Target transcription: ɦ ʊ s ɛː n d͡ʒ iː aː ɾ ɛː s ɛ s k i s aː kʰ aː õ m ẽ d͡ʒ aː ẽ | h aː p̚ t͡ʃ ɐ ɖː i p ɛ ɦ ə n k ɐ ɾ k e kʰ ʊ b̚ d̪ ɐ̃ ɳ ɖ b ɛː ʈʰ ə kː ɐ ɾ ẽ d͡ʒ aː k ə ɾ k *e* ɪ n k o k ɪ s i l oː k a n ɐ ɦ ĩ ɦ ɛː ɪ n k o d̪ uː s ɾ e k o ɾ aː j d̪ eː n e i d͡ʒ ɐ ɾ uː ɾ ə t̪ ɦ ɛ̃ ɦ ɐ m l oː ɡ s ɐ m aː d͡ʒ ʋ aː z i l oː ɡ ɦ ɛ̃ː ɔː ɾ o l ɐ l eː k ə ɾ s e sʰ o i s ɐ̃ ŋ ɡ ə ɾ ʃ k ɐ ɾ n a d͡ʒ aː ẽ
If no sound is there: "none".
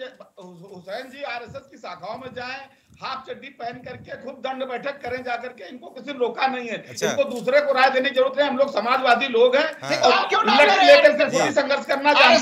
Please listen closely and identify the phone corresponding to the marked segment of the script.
e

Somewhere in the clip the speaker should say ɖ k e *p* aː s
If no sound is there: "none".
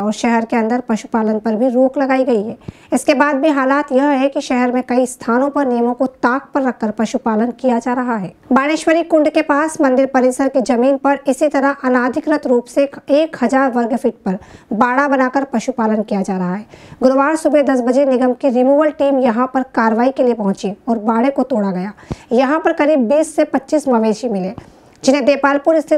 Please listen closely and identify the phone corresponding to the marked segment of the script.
p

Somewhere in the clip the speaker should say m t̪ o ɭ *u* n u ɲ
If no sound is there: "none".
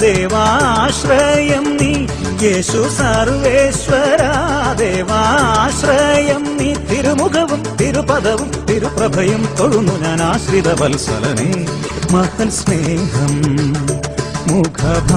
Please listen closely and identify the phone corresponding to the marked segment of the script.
u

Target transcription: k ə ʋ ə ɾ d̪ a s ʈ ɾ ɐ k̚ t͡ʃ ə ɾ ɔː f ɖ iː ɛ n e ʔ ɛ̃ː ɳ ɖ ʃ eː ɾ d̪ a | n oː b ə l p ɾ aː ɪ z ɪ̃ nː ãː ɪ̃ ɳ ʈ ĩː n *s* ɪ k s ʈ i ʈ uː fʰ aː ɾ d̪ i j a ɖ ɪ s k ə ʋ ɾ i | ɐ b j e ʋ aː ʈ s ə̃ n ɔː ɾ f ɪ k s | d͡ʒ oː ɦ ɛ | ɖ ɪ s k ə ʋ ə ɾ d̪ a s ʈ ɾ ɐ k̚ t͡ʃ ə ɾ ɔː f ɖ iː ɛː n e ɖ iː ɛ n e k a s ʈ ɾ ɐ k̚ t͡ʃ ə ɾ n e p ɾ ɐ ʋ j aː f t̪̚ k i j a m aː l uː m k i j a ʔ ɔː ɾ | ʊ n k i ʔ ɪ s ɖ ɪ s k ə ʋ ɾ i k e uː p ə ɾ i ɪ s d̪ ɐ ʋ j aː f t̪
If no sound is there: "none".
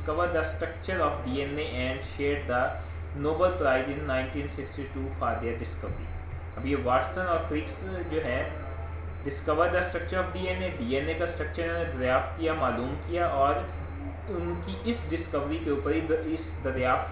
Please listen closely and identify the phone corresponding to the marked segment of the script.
s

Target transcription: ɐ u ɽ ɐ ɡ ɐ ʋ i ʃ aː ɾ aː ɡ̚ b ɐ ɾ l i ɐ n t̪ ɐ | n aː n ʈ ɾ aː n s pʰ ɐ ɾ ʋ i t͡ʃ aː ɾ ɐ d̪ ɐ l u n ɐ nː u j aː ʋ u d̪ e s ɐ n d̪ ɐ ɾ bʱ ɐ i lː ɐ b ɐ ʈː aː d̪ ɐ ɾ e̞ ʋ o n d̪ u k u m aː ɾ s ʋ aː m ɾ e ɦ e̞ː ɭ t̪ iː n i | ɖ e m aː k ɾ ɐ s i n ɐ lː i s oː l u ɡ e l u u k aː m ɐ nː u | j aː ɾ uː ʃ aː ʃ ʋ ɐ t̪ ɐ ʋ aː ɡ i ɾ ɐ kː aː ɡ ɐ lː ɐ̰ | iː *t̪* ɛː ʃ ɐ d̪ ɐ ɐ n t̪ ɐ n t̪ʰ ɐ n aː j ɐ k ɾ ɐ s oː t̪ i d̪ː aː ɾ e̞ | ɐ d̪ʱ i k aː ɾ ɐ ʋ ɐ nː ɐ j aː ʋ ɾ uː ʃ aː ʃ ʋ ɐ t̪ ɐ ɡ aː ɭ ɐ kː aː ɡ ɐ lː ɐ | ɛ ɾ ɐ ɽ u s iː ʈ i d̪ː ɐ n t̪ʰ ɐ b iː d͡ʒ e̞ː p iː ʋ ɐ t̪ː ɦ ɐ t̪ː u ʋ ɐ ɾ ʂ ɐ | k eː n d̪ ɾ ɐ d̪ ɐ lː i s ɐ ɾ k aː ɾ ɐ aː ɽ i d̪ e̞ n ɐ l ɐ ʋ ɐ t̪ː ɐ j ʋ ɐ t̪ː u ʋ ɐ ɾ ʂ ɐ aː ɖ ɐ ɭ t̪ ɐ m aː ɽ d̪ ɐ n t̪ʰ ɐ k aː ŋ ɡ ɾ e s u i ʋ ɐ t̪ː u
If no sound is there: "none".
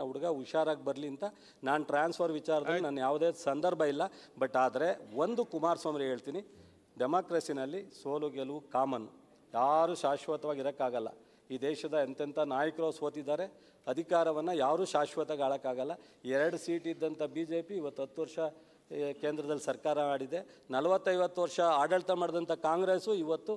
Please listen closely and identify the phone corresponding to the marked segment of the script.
d̪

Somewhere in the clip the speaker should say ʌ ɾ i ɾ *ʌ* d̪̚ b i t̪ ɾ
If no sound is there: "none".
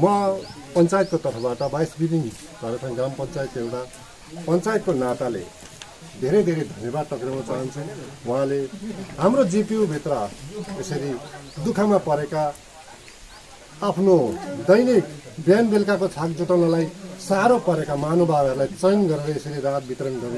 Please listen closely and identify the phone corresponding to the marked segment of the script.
a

